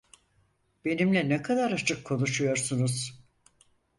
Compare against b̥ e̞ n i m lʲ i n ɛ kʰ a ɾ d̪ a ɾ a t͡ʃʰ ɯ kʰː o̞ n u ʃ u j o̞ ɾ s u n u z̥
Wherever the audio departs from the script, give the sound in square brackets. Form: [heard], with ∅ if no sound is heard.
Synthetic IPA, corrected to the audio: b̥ e̞ n i m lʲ [ɛ] n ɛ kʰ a [∅] d̪ a ɾ a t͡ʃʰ ɯ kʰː o̞ n u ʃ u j o̞ ɾ s u n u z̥